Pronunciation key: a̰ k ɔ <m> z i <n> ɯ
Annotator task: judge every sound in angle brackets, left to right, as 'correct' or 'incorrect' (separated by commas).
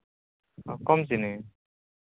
correct, correct